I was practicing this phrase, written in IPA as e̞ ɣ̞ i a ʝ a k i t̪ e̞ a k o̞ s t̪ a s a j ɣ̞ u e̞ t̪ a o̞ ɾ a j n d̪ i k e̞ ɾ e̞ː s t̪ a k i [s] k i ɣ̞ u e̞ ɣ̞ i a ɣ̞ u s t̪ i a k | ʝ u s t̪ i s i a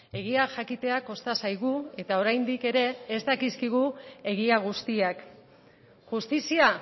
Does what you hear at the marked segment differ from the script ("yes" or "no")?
no